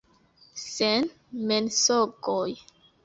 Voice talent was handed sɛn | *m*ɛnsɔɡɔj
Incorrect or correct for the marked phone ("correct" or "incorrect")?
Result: correct